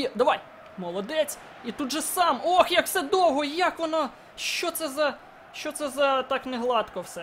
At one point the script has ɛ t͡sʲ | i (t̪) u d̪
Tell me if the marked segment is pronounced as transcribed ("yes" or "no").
yes